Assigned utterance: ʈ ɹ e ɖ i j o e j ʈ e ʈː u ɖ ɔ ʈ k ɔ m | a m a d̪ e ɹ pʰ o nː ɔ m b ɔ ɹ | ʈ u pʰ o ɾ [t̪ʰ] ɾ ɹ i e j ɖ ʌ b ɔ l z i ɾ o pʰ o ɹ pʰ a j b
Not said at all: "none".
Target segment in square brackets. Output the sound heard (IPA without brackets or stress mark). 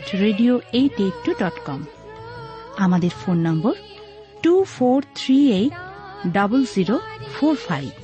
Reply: t̪ʰ